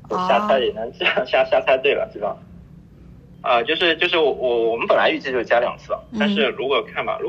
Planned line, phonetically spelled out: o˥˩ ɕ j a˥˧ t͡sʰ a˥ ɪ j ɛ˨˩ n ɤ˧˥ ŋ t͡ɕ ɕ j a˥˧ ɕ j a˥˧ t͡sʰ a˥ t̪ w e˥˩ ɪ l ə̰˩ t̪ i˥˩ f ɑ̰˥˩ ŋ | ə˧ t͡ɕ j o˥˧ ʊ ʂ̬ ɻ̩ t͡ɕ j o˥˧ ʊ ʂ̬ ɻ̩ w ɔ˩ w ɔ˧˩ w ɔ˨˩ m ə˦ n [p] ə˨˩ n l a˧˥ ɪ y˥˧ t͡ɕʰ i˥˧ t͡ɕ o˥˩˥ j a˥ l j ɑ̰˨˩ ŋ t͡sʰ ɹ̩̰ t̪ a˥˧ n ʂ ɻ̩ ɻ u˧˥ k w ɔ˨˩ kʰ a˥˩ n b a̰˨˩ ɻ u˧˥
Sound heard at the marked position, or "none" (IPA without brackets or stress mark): p